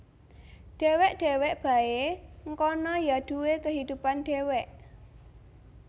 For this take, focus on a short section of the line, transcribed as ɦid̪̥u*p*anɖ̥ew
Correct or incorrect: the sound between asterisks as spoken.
correct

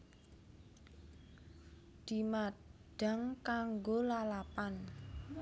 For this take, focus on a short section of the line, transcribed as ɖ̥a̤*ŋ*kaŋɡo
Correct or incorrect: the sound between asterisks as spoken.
correct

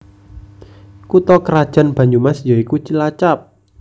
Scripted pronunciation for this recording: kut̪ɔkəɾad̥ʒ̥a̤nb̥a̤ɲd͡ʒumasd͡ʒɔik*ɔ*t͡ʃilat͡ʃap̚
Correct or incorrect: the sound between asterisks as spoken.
incorrect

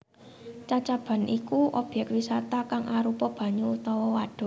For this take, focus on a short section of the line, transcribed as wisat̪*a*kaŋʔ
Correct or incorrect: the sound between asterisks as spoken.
correct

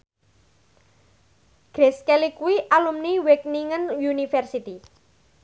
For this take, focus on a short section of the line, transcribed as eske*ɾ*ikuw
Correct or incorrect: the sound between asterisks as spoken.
incorrect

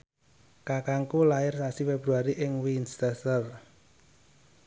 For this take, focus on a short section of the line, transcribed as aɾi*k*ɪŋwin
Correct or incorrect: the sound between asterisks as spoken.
incorrect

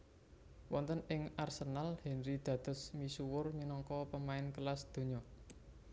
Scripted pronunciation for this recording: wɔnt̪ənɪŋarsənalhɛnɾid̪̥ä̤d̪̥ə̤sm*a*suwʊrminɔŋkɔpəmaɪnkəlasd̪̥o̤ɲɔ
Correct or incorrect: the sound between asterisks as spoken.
incorrect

